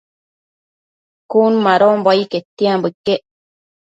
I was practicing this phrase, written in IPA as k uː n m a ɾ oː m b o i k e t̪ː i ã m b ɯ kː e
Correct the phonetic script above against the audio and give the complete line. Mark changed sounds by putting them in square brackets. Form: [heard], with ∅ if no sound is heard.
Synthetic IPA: k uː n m a ɾ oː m b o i k e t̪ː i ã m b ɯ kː e

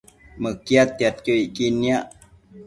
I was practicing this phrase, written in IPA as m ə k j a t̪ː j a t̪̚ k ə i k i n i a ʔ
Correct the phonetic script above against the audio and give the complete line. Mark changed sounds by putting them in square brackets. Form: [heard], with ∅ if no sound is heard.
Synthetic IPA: m ə k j a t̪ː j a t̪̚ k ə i k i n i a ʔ

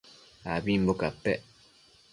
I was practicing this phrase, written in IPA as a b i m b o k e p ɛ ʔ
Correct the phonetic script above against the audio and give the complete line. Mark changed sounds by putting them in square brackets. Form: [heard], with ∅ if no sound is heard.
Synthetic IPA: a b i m b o k [a] p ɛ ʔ

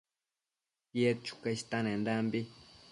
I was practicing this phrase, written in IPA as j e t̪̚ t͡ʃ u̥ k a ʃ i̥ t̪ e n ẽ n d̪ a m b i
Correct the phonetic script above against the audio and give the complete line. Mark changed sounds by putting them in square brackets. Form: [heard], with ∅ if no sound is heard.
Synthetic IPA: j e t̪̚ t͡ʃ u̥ k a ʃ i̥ t̪ [a] n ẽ n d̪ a m b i

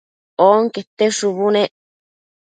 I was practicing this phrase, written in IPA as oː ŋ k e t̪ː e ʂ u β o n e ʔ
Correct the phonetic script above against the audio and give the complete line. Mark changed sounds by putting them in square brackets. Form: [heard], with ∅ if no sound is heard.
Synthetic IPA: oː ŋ k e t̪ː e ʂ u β [u] n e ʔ

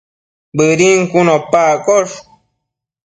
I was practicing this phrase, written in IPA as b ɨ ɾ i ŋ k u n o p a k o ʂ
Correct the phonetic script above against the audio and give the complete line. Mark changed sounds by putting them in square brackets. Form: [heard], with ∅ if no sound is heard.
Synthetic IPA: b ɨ ɾ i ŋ k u n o p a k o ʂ

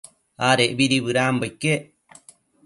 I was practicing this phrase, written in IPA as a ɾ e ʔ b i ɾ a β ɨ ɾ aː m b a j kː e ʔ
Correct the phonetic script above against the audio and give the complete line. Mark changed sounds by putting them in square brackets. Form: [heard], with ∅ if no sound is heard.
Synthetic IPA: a ɾ e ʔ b i ɾ [i] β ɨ ɾ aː m b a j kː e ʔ

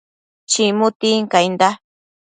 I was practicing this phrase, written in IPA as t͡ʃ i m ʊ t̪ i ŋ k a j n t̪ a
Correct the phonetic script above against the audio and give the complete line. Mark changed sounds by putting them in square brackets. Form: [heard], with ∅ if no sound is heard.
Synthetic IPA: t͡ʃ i m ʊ t̪ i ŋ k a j n [d̪] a

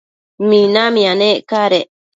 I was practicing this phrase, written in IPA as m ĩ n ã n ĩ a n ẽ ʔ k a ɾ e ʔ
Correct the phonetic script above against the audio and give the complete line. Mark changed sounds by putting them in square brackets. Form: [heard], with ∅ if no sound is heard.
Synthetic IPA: m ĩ n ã [m] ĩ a n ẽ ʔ k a ɾ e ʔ

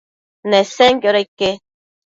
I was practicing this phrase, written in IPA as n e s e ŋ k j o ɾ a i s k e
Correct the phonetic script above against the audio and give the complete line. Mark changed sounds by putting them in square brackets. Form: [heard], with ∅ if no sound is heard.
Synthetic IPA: n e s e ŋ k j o ɾ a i [∅] k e

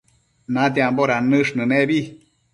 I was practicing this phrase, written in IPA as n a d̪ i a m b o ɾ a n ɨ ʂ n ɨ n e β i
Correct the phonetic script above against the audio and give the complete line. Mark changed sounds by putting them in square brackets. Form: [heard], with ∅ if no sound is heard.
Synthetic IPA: n a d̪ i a m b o ɾ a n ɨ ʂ n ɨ n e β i

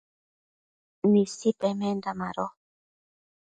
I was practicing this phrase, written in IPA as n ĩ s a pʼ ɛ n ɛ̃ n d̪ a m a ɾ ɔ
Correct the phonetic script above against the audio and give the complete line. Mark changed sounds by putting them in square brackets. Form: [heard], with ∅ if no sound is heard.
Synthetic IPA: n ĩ s [i] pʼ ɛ [m] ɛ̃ n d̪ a m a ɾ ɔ

